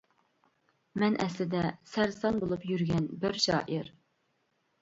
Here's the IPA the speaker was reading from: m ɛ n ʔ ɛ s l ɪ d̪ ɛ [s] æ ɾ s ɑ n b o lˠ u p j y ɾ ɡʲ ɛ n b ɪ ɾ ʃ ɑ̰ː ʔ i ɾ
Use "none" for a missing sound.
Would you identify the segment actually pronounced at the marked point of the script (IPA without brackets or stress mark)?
s